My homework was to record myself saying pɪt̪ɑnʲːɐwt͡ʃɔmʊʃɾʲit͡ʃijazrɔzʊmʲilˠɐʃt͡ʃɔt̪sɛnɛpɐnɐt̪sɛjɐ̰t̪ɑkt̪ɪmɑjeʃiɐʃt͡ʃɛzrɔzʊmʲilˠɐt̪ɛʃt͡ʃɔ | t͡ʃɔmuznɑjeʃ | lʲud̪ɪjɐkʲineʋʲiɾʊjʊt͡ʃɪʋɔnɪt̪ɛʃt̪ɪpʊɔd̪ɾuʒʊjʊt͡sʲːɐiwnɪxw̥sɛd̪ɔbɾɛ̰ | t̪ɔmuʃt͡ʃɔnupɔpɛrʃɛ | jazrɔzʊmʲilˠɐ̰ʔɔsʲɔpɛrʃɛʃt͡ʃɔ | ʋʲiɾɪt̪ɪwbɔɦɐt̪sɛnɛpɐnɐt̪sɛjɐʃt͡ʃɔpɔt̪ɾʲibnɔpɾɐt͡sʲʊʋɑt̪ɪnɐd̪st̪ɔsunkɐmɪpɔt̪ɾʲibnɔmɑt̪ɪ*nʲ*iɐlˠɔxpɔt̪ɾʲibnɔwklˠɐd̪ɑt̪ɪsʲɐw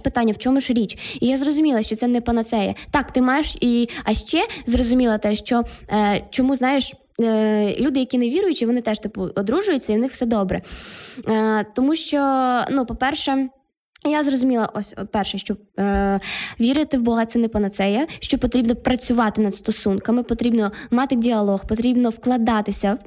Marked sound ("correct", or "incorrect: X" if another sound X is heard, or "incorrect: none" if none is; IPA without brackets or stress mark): incorrect: dʲ